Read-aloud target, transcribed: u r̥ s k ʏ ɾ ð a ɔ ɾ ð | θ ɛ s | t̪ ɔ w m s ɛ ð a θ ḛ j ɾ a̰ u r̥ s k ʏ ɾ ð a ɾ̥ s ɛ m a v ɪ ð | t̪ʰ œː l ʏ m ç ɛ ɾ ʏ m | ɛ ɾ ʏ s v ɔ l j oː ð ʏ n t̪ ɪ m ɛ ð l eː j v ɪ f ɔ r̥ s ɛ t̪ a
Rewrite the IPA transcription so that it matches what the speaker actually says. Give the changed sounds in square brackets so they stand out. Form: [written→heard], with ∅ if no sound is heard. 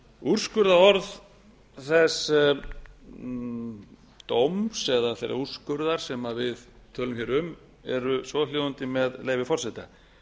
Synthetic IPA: u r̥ s k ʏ ɾ ð a ɔ ɾ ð | θ ɛ s | t̪ [ɔ→o] w m s ɛ ð a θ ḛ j ɾ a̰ u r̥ s k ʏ ɾ ð a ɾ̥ s ɛ m a v ɪ ð | t̪ʰ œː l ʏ m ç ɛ ɾ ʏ m | ɛ ɾ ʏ s v ɔ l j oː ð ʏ n t̪ ɪ m ɛ ð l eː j v ɪ f ɔ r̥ s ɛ t̪ a